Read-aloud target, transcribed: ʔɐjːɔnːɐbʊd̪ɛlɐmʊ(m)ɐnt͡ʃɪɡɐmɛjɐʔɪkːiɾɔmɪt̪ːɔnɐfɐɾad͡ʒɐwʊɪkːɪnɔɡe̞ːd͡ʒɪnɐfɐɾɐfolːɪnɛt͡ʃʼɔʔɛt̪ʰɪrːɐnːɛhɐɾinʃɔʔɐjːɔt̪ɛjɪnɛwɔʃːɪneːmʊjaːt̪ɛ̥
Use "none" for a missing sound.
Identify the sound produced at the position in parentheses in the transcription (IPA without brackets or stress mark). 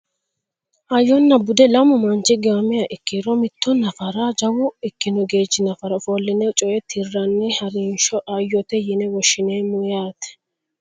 m